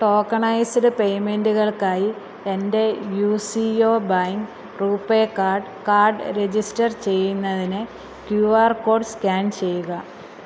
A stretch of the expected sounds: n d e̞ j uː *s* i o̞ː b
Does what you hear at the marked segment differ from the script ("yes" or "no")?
no